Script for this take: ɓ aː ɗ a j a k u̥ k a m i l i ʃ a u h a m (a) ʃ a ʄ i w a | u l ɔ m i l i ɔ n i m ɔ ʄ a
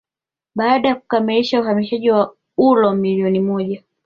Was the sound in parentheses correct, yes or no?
no